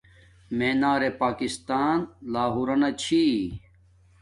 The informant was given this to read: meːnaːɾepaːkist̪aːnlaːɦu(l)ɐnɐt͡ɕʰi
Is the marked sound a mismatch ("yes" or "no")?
yes